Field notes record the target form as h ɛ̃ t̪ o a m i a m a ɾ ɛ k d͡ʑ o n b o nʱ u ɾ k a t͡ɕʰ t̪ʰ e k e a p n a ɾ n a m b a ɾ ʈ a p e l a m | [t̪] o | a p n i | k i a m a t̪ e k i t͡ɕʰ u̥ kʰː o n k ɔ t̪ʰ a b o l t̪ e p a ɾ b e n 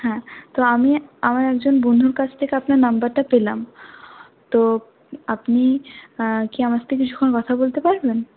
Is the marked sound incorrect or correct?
correct